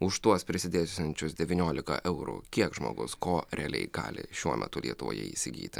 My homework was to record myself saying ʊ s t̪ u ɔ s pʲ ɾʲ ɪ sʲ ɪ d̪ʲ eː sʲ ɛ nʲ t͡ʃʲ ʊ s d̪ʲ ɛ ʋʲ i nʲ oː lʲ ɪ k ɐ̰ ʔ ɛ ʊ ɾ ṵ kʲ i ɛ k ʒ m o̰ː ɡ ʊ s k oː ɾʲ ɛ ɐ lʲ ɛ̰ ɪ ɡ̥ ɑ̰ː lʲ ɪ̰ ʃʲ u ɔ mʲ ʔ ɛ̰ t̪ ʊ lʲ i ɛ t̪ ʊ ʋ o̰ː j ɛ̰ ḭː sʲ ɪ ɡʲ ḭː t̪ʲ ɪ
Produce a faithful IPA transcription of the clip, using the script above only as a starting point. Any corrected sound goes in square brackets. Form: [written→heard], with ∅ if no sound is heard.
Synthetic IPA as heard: ʊ [s→ʃ] t̪ u ɔ s pʲ ɾʲ ɪ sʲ ɪ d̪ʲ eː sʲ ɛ nʲ t͡ʃʲ ʊ s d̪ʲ ɛ ʋʲ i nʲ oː lʲ ɪ k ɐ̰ ʔ ɛ ʊ ɾ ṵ kʲ i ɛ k ʒ m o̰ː ɡ ʊ s k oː ɾʲ ɛ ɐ lʲ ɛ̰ ɪ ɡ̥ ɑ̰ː lʲ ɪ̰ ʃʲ u ɔ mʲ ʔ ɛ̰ t̪ ʊ lʲ i ɛ t̪ ʊ ʋ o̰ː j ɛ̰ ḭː sʲ ɪ ɡʲ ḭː t̪ʲ ɪ